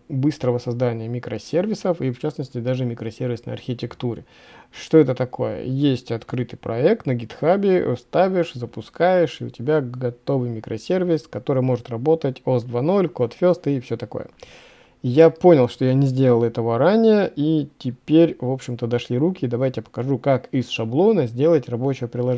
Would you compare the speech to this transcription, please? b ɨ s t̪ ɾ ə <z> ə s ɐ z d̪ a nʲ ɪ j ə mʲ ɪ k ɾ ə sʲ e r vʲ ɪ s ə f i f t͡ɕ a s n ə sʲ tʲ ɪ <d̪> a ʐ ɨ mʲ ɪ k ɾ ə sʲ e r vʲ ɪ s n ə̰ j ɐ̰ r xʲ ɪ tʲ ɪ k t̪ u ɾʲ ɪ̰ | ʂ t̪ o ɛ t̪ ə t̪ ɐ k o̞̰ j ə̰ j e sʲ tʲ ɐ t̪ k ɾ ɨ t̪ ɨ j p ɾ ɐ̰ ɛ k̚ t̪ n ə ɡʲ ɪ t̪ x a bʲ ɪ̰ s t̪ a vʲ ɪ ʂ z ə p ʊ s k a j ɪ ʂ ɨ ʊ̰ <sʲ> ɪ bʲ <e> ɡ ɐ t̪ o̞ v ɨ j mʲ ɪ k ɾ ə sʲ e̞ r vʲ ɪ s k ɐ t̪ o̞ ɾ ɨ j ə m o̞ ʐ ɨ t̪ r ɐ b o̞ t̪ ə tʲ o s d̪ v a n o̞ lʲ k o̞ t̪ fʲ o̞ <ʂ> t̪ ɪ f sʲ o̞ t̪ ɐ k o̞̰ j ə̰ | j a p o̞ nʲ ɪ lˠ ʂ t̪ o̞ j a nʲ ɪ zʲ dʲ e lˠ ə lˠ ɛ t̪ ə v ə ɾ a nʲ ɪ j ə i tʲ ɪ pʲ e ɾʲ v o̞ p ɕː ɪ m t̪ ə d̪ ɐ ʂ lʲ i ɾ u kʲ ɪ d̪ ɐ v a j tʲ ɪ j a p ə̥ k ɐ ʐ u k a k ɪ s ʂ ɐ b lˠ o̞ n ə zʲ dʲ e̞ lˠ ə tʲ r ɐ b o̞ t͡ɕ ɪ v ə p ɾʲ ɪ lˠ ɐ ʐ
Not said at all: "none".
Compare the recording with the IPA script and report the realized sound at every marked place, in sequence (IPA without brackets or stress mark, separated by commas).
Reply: v, d̪, tʲ, a, s